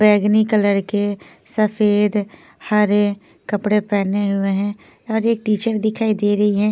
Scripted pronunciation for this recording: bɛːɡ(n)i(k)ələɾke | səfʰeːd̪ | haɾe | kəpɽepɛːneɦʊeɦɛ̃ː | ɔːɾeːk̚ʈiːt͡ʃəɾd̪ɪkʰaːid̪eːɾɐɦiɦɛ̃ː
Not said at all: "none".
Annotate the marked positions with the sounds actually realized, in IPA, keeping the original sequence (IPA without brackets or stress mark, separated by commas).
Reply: n, k